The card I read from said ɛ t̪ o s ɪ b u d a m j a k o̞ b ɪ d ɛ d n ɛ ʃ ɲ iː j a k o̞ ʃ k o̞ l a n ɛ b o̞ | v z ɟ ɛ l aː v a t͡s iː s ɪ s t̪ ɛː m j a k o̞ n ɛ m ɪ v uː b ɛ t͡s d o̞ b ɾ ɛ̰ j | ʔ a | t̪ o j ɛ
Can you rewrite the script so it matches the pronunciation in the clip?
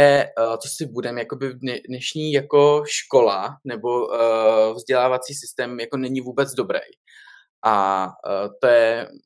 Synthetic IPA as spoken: ɛ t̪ o s ɪ b u d ɛ m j a k o̞ b ɪ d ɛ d n ɛ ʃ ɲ iː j a k o̞ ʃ k o̞ l a n ɛ b o̞ | v z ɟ ɛ l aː v a t͡s iː s ɪ s t̪ ɛː m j a k o̞ n ɛ ɲ ɪ v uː b ɛ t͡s d o̞ b ɾ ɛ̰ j | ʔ a | t̪ o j ɛ